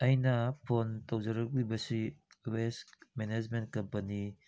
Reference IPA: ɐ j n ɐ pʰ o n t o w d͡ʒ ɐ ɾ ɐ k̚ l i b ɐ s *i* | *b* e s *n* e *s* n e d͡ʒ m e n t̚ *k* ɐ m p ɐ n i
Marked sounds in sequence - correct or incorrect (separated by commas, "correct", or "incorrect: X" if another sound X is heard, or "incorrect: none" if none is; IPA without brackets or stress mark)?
correct, incorrect: w, incorrect: m, incorrect: none, correct